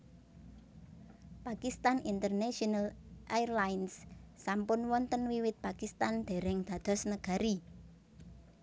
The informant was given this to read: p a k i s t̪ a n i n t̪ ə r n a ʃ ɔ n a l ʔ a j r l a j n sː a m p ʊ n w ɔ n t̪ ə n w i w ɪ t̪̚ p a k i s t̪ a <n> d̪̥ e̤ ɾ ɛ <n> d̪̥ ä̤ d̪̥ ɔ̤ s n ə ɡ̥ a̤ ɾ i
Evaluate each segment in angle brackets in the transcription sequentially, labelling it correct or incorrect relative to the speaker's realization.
correct, incorrect: ŋ

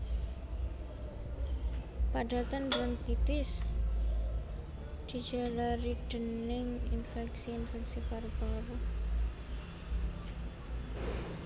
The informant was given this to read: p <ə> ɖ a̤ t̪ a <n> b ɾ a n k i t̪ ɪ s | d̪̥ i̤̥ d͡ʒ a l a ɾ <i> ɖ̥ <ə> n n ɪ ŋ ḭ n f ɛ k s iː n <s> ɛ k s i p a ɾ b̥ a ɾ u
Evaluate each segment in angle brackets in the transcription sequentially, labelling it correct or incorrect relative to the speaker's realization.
incorrect: a, correct, correct, correct, incorrect: f

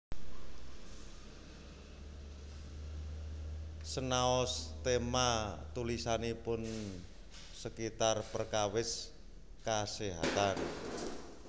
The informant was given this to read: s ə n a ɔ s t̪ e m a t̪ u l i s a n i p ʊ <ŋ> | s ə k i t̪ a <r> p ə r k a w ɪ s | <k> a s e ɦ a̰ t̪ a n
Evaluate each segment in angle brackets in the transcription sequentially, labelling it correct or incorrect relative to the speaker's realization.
incorrect: n, correct, correct

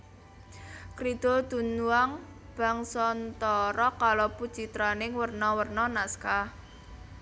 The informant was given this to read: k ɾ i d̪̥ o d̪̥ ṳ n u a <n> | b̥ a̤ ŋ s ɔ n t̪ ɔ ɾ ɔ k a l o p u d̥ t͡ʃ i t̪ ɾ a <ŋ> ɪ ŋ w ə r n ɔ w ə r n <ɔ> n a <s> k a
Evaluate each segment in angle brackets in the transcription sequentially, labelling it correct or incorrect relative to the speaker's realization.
incorrect: ŋ, incorrect: n, correct, correct

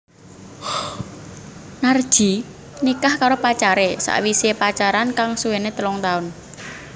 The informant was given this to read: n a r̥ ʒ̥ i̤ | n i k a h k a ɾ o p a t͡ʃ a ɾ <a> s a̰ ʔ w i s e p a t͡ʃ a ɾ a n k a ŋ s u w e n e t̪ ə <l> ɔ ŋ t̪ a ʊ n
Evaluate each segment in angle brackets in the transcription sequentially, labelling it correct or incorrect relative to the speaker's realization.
incorrect: e, correct

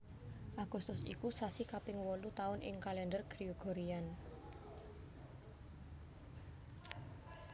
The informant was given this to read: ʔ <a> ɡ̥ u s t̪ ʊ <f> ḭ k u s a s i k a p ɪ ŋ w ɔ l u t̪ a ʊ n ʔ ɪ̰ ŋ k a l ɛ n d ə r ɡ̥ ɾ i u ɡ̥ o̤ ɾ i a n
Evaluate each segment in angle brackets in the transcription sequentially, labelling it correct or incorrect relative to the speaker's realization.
correct, incorrect: s

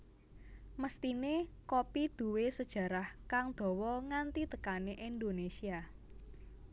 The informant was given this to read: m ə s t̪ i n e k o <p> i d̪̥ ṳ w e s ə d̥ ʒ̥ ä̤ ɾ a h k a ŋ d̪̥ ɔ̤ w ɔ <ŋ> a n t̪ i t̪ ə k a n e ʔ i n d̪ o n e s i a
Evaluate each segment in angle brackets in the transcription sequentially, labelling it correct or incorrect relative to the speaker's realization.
correct, correct

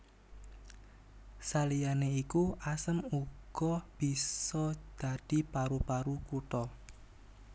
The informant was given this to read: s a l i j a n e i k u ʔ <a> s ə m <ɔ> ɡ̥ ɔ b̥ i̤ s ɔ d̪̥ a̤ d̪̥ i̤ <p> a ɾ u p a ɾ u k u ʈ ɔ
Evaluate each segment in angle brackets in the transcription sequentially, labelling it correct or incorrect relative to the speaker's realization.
correct, incorrect: u, correct

